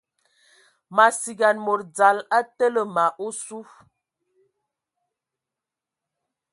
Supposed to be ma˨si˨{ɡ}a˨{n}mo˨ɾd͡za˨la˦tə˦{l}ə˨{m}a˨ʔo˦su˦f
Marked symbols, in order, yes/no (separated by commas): yes, yes, yes, yes